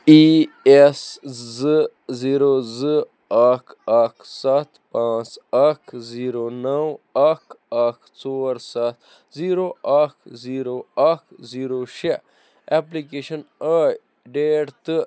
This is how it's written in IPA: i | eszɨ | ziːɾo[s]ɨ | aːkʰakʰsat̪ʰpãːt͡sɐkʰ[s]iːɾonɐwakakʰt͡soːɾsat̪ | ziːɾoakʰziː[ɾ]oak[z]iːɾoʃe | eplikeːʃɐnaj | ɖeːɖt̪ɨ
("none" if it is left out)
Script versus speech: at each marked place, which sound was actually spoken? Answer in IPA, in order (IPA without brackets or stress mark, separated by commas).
z, z, ɾ, z